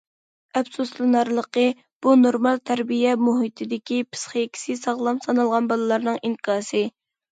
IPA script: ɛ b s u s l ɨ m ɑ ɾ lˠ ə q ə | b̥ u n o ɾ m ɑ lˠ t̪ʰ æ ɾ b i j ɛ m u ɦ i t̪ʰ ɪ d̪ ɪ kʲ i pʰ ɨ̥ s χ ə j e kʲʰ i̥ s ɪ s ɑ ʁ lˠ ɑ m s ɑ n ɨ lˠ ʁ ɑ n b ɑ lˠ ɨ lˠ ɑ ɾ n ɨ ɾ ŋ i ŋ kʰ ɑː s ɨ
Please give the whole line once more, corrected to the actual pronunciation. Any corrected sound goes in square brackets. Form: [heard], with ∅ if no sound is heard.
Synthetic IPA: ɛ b s u s l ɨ [n] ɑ ɾ lˠ ə q ə | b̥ u n o ɾ m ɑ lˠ t̪ʰ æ ɾ b i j ɛ m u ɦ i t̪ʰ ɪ d̪ ɪ kʲ i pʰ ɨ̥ s χ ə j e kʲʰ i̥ s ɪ s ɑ ʁ lˠ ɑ m s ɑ n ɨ lˠ ʁ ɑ n b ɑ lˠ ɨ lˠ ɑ ɾ n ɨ [∅] ŋ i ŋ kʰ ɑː s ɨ